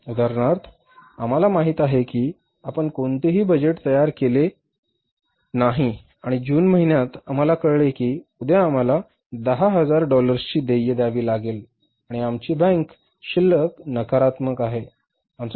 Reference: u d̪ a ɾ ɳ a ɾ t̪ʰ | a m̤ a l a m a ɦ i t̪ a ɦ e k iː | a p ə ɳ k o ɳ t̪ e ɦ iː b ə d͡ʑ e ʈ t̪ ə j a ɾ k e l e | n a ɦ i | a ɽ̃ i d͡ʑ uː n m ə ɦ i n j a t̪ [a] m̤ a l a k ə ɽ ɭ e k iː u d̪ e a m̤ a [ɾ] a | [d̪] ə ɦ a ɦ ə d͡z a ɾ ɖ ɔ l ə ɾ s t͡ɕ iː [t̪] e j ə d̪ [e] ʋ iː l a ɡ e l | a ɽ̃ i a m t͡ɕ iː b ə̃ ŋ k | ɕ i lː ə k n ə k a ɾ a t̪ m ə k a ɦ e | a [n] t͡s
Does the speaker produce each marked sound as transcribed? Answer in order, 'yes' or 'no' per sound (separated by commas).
yes, no, yes, no, no, no